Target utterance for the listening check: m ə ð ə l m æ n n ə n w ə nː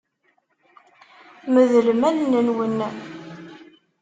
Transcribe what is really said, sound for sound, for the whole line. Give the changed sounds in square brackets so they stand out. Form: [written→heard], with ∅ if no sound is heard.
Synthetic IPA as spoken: m ə ð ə l m æ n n ə n w ə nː